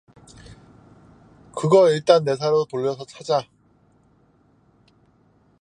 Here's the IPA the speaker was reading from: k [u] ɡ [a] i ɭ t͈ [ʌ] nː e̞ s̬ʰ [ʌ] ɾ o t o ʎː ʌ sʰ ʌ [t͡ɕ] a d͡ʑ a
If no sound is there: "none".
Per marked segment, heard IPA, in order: ɯ, ʌ, a, a, t͡ɕʰ

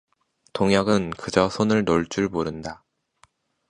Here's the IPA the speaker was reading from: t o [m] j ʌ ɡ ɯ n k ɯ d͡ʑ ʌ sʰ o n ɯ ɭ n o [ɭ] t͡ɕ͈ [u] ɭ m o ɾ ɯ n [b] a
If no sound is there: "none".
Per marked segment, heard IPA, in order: ŋ, ɭ, u, d

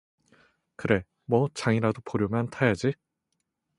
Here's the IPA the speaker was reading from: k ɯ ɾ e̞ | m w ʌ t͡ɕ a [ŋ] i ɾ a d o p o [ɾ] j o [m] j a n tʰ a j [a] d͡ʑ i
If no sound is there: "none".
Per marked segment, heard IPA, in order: ŋ, ɾ, m, a

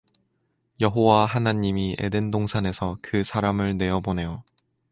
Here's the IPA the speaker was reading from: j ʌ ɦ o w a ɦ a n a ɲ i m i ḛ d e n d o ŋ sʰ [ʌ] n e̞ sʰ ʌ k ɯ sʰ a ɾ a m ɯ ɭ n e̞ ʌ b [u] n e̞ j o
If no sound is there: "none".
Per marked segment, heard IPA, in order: a, o

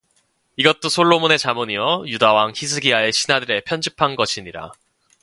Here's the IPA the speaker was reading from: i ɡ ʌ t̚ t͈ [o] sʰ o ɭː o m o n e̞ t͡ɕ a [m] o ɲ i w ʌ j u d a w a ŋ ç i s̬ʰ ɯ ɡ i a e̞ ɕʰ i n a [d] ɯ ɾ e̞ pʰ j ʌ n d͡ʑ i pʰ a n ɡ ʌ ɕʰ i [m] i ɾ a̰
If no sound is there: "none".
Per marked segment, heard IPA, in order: o, m, d, ɲ

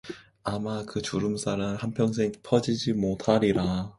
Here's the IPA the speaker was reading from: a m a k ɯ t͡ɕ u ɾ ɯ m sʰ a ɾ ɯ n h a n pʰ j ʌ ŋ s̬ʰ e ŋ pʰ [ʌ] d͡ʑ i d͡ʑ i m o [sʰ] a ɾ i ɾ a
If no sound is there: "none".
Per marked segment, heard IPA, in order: ʌ, tʰ

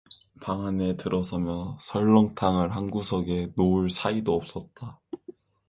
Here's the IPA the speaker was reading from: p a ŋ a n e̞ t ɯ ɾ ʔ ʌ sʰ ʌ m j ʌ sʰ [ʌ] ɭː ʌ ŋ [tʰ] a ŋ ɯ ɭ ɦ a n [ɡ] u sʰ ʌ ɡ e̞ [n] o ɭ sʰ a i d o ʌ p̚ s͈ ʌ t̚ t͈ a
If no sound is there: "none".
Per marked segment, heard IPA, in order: ʌ, tʰ, ɡ, n

